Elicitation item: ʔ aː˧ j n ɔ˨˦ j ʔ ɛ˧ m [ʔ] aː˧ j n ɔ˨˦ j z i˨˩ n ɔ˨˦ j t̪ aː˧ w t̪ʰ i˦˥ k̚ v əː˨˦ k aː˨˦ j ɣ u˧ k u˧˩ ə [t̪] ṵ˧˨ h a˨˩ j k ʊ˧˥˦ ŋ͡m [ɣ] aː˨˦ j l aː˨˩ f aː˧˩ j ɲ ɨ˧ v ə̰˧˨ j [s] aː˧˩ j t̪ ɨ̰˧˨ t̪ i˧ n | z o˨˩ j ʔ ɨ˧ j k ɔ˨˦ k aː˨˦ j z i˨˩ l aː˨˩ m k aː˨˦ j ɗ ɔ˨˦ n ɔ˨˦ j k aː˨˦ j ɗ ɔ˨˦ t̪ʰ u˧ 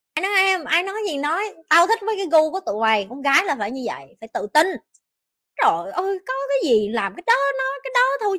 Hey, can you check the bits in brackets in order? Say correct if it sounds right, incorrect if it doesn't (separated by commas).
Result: correct, correct, correct, incorrect